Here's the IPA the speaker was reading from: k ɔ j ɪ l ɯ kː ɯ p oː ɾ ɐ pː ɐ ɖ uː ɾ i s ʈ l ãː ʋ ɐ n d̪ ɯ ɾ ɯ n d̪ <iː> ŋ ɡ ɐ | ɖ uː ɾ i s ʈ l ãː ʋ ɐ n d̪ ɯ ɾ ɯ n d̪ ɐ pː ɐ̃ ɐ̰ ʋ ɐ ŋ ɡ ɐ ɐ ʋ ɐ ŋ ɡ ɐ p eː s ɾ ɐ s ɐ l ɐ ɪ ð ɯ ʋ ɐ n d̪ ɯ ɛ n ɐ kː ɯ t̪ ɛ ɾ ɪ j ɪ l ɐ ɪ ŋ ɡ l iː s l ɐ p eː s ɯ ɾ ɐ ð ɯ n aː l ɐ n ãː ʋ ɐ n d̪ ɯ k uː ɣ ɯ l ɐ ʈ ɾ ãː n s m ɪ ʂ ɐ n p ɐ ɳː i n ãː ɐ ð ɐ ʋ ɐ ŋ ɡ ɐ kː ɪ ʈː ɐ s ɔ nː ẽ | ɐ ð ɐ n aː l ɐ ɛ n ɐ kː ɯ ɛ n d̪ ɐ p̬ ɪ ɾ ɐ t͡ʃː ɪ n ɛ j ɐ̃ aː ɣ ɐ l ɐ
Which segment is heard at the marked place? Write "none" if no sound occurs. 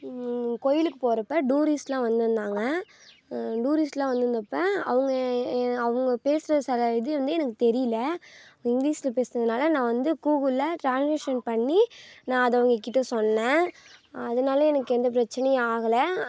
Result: aː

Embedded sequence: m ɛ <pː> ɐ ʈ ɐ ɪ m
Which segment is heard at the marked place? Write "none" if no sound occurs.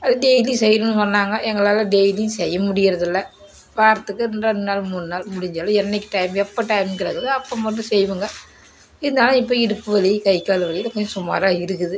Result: pː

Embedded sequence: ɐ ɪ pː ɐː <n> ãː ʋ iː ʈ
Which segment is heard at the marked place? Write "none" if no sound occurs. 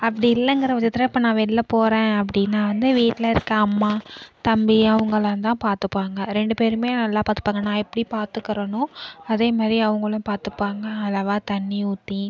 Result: n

